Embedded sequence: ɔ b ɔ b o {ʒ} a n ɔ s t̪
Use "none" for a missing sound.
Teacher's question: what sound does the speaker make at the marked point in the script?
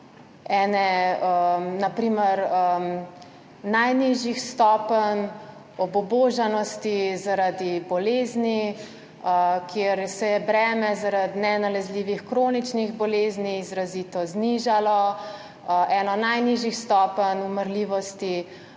ʒ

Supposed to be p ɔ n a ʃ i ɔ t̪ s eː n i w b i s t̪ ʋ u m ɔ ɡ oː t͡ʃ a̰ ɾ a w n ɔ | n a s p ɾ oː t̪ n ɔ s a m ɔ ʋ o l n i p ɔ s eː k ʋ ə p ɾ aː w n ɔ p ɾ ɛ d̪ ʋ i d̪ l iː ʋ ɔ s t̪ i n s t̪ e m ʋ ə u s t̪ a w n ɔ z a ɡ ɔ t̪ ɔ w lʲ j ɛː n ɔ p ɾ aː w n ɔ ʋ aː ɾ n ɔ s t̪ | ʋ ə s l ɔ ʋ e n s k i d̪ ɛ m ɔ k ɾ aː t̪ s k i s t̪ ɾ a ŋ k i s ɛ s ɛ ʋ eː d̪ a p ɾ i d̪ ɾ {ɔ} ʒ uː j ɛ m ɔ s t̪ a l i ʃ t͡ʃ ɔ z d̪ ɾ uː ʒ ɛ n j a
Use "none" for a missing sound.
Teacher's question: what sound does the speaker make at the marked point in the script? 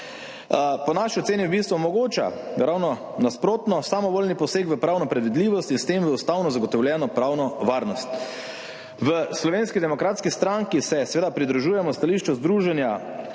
u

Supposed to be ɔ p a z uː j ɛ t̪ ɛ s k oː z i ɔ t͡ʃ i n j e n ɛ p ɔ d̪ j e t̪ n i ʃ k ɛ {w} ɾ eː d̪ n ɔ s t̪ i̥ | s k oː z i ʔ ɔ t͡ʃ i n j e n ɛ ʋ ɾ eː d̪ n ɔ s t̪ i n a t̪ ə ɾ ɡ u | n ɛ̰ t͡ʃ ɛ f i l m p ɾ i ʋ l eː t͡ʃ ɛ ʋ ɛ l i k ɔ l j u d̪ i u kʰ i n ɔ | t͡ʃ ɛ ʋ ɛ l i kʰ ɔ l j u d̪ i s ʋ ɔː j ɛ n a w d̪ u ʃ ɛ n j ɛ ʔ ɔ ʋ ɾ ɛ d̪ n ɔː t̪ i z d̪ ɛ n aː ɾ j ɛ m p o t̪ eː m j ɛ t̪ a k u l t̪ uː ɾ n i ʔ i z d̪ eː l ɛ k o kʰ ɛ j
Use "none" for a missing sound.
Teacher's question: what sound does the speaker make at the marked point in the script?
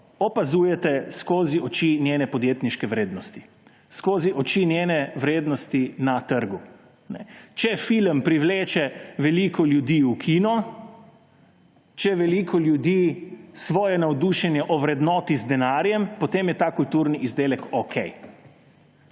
ʋ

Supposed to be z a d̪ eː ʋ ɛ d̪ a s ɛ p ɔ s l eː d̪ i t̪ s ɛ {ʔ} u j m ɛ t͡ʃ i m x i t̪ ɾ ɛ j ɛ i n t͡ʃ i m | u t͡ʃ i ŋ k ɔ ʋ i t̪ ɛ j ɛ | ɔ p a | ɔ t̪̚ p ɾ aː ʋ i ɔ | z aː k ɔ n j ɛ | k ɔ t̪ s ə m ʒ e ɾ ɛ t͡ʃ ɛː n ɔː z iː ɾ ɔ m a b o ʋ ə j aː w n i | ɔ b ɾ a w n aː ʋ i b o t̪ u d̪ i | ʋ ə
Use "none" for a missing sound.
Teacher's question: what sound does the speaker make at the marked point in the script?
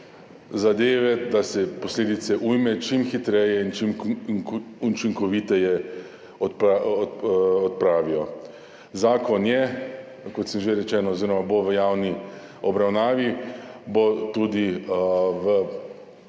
ʔ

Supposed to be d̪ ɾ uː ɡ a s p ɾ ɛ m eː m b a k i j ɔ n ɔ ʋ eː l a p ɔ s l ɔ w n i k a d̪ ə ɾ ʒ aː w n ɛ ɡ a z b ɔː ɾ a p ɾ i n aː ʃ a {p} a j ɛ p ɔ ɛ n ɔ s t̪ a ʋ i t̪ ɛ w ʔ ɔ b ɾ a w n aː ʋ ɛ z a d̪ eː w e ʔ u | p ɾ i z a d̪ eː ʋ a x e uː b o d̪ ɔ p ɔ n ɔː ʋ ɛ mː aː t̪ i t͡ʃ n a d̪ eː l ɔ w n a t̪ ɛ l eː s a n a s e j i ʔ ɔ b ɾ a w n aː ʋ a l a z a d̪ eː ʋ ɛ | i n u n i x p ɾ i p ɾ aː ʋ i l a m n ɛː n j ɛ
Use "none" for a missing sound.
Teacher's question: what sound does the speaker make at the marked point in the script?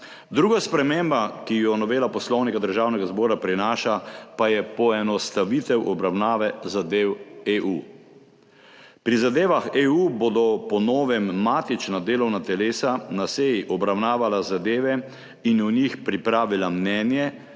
p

